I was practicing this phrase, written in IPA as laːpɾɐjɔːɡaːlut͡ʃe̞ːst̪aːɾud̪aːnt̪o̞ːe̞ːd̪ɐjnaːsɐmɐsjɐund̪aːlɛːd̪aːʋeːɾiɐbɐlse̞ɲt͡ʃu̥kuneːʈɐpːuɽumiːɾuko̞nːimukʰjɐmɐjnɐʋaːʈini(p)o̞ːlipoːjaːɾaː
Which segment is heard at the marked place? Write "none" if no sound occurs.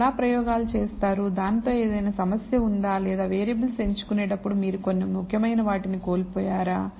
k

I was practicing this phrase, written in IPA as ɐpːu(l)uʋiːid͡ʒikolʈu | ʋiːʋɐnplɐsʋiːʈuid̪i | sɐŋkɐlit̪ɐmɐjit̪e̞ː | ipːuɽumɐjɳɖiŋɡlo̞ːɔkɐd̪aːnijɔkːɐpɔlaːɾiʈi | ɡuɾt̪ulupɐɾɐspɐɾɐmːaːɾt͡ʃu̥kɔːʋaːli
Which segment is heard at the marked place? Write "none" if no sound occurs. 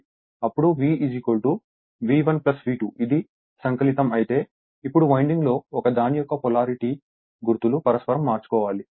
ɽ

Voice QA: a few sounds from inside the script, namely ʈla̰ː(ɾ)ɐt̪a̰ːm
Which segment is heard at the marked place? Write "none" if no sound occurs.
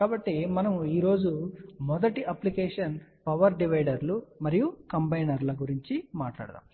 ɽ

